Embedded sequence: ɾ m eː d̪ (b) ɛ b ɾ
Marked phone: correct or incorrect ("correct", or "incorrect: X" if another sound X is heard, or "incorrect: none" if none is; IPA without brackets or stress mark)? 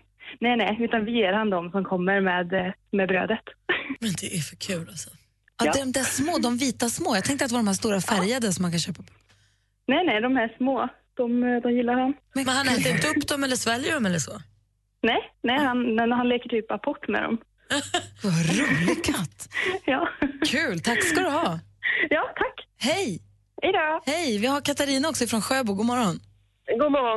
incorrect: m